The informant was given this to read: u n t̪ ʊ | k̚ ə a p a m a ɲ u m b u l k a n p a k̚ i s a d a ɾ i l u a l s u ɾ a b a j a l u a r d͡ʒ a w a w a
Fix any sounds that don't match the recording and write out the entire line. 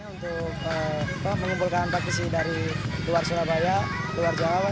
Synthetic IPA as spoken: u n t̪ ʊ | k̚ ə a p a m ə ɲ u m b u l k a n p a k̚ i s i d a ɾ i l u a r s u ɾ a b a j a l u a r d͡ʒ a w a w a